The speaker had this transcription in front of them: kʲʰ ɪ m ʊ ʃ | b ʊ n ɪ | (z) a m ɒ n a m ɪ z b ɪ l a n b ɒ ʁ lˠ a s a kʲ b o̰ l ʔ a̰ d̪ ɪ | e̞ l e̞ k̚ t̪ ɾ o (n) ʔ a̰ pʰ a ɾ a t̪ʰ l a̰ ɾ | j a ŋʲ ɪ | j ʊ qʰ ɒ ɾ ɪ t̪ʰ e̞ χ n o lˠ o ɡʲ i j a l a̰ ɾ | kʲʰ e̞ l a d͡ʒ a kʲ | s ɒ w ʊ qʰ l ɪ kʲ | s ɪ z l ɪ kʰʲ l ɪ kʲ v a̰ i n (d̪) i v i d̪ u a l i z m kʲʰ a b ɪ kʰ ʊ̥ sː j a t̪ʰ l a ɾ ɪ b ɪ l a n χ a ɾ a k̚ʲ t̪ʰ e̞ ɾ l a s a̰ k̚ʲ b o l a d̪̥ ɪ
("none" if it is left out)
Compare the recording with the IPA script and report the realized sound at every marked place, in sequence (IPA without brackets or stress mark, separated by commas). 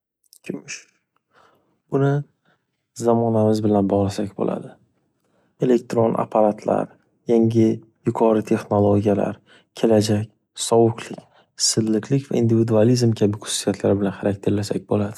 z, n, d̪